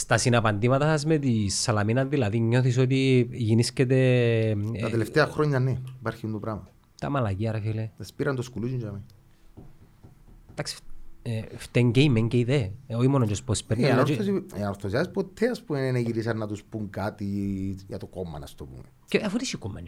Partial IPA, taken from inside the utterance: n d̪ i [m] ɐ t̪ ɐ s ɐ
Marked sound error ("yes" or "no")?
no